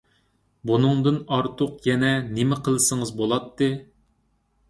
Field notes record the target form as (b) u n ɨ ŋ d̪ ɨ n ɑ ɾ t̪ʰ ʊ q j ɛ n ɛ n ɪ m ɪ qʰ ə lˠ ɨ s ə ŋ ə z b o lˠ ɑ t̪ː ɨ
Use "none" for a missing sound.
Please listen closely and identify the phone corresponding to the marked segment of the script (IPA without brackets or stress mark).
b